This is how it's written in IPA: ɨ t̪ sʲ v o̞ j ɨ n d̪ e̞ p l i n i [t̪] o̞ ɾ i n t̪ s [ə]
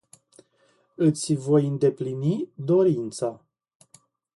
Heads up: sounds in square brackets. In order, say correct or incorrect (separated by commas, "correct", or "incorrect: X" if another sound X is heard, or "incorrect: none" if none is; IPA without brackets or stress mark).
incorrect: d̪, incorrect: a